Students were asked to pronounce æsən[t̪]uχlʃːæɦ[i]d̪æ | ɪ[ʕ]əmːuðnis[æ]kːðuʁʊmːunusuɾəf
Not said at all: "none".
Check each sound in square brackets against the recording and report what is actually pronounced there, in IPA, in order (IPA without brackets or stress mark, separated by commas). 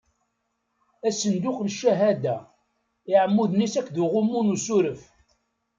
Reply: d̪, æ, ʕ, æ